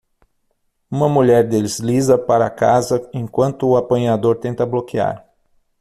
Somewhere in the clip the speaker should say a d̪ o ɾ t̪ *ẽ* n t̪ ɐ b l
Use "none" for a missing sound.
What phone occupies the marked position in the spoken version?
ẽ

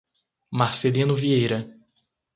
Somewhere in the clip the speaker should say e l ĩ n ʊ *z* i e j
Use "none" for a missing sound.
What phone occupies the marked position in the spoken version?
v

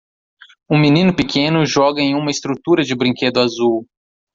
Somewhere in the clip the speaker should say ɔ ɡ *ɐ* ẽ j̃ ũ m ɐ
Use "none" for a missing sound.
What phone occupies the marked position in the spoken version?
ɐ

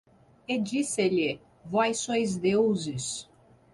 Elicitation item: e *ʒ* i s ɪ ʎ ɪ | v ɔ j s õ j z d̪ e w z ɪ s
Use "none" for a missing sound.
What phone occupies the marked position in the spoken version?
d͡ʒ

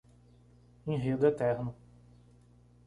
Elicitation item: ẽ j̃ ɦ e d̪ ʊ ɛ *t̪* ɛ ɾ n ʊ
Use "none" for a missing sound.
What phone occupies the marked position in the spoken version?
t̪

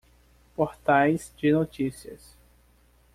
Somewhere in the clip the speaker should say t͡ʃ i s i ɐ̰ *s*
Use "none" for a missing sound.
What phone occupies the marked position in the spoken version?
s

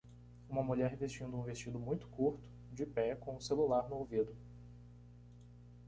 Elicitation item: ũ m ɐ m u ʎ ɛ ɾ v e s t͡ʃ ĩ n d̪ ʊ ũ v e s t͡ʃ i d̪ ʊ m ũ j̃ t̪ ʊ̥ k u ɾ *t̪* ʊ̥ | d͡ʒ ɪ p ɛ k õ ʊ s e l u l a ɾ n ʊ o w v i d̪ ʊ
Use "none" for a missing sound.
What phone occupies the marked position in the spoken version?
t̪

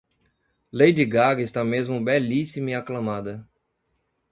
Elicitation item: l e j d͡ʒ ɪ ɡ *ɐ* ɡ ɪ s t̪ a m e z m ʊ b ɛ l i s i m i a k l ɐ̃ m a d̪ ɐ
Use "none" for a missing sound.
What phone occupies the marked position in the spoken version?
a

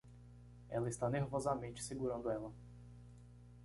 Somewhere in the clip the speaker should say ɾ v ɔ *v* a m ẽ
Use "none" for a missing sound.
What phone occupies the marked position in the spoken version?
z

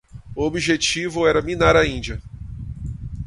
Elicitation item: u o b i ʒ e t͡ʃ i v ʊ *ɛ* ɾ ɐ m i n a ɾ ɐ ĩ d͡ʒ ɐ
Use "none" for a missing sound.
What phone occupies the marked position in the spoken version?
ɛ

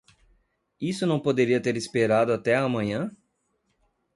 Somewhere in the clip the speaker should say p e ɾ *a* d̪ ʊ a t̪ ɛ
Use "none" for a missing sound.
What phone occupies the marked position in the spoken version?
a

